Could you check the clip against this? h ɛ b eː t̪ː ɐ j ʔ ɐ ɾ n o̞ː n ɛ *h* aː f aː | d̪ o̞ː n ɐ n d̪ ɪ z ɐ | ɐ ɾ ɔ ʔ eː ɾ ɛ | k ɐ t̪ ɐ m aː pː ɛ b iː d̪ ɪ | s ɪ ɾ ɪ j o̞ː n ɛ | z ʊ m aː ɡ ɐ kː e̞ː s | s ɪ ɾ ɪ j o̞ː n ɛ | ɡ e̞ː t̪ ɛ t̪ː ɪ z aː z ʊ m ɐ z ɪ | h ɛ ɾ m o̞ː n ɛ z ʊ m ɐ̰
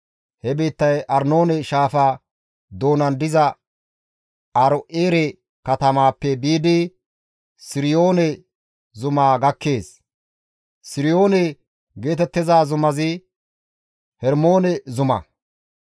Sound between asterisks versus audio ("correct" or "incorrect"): incorrect